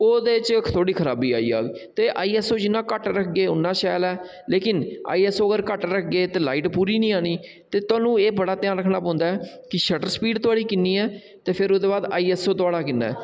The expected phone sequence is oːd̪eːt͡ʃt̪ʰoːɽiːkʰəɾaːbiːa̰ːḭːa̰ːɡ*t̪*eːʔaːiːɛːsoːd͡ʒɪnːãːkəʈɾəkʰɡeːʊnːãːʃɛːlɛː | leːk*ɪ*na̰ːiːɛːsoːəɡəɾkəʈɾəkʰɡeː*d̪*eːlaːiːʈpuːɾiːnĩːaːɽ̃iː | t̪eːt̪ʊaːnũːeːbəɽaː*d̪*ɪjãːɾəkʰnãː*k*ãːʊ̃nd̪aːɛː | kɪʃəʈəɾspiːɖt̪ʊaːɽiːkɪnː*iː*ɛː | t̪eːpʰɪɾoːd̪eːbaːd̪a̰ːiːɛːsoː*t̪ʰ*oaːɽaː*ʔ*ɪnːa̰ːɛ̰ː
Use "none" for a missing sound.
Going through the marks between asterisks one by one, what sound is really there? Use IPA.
t̪, ɪ, t̪, t̪, p, iː, t̪, k

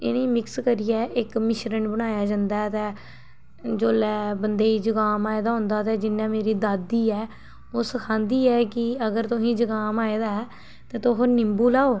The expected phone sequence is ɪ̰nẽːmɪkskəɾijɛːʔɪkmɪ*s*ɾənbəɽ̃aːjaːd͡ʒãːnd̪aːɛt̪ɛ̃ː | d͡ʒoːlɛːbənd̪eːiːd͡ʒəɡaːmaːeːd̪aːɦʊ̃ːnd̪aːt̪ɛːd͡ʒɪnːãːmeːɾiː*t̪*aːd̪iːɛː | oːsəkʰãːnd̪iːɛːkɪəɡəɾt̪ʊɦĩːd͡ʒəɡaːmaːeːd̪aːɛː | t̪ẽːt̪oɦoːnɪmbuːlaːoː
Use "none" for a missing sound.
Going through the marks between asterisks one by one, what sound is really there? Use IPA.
ʃ, d̪

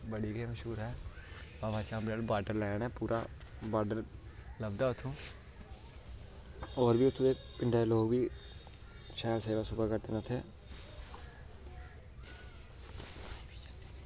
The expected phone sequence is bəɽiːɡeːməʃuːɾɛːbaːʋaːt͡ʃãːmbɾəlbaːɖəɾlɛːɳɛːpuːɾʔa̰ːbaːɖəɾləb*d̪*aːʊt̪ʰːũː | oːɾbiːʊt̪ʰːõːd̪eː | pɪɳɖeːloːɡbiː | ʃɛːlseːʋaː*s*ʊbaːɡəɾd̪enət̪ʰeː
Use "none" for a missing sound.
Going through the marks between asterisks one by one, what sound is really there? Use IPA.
d̪, s

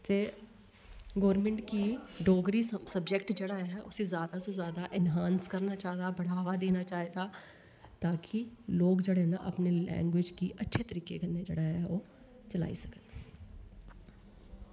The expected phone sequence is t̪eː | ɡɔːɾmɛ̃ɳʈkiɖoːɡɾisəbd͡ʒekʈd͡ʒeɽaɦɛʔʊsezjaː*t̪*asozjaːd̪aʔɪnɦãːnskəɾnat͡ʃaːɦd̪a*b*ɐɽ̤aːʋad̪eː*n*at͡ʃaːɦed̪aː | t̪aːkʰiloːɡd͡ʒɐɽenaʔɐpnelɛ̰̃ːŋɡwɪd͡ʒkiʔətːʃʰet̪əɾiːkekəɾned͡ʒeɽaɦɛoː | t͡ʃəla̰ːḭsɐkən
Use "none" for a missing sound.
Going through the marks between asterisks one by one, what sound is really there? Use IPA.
d̪, b, n

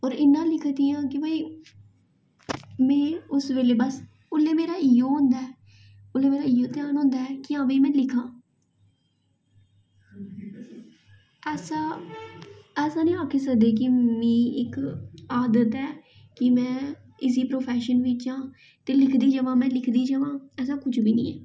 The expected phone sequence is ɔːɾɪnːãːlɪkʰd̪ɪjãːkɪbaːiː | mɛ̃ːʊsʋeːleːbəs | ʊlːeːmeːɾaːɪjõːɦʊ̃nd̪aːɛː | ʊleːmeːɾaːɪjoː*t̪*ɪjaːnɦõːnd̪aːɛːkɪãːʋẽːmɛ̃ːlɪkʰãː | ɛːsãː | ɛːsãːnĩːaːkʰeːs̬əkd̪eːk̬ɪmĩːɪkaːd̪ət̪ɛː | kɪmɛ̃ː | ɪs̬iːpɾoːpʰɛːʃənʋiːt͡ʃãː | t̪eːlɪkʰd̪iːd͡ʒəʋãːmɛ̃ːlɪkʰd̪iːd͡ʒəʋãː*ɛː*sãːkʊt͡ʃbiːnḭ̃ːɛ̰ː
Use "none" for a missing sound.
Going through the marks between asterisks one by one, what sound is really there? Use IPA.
t̪, ɛː

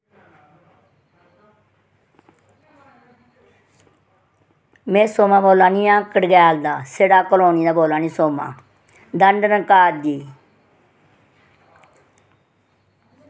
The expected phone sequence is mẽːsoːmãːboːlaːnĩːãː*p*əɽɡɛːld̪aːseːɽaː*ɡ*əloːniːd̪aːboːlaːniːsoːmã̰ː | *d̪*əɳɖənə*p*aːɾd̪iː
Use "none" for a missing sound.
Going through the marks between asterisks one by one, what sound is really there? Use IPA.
k, k, d̪, k

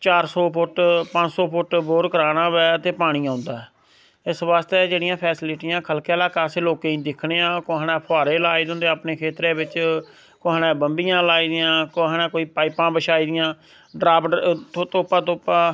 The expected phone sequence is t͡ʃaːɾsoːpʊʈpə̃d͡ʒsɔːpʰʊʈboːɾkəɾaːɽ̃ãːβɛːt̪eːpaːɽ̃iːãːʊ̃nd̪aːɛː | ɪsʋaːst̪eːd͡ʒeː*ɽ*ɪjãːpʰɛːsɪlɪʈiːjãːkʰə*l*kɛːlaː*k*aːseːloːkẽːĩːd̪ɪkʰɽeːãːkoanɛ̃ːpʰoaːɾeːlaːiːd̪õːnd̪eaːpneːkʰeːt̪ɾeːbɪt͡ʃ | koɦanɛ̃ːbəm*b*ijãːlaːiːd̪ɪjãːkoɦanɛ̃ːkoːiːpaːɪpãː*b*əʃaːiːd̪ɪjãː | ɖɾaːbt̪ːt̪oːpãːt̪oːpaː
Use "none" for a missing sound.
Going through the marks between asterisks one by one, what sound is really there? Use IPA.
ɽ, l, k, b, b

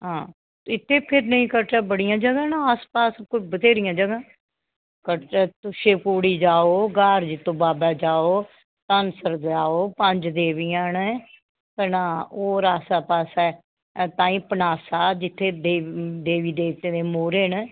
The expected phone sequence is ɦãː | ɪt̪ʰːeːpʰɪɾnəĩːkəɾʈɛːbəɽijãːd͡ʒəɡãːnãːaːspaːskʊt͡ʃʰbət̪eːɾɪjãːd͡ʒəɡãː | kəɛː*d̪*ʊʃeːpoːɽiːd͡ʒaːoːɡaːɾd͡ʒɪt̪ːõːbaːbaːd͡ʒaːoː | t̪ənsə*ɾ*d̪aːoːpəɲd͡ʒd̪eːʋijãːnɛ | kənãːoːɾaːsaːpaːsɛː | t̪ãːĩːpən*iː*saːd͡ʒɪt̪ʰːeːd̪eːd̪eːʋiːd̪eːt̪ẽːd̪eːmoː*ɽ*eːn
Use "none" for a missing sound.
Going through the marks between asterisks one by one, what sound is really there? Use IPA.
t̪, ɾ, aː, ɾ

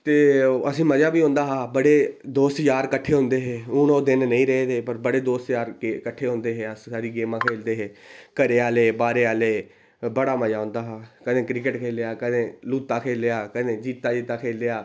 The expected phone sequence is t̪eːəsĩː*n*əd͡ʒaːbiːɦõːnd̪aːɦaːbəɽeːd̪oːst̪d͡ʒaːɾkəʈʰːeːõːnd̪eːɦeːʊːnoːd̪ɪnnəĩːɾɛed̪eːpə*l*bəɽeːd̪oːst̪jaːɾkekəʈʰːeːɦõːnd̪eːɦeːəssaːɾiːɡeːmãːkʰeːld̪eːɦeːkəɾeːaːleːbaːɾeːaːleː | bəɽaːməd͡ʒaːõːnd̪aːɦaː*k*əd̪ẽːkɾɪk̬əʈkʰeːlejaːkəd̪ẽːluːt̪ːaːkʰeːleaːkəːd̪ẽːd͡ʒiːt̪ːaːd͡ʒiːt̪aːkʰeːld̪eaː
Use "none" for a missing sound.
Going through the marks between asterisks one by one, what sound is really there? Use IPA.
m, ɾ, k

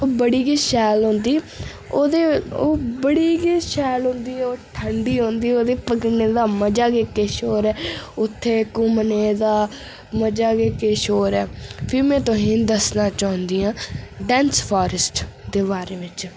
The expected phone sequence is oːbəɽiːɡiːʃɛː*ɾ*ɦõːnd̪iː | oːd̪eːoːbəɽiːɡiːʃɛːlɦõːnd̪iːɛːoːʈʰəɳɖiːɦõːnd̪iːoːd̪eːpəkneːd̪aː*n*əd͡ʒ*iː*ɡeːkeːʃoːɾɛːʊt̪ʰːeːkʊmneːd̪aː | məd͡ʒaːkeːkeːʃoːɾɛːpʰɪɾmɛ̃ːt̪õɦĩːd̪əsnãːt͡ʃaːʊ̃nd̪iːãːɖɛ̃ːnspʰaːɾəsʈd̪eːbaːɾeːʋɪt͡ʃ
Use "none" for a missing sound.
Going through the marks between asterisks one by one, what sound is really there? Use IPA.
l, m, aː

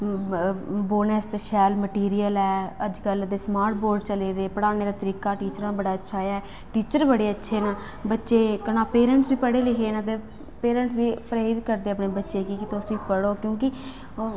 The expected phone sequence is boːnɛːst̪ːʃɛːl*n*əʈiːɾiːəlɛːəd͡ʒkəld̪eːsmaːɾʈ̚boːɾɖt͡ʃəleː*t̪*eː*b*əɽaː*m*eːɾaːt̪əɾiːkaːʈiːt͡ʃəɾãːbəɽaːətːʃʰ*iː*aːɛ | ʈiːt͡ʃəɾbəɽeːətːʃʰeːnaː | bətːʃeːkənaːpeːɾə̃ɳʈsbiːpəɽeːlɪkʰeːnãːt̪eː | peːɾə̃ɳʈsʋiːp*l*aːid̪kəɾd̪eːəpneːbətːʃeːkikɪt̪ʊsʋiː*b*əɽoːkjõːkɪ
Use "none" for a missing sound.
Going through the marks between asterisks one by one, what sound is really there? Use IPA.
m, d̪, p, n, aː, ɾ, p

